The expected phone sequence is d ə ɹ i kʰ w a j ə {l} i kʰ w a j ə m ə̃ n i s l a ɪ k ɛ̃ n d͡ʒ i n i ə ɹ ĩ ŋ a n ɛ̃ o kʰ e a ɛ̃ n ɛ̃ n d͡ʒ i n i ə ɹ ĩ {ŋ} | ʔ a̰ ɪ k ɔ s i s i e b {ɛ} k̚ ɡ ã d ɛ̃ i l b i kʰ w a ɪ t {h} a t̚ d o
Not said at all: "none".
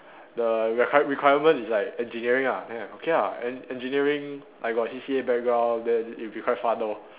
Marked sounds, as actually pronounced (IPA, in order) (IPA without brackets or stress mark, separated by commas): ɹ, ŋ, ɛ, f